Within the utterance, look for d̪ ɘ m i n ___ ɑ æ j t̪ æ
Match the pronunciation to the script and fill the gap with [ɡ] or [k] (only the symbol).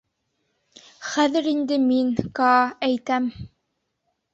k